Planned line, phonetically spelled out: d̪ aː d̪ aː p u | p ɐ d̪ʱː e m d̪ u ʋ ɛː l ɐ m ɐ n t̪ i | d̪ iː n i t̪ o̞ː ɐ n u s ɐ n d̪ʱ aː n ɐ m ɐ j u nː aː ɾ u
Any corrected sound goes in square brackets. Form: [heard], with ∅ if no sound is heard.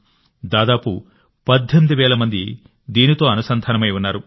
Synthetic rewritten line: d̪ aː d̪ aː p u | p ɐ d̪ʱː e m d̪ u ʋ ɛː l ɐ m ɐ n [d̪] i | d̪ iː n i t̪ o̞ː ɐ n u s ɐ n d̪ʱ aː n ɐ m ɐ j u nː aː ɾ u